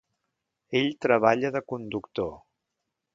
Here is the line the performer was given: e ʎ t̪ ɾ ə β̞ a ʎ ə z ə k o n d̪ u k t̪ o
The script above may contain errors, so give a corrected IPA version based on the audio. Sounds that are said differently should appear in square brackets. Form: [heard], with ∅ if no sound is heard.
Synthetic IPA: e ʎ t̪ ɾ ə β̞ a ʎ ə [ð] ə k [u] n d̪ u k t̪ o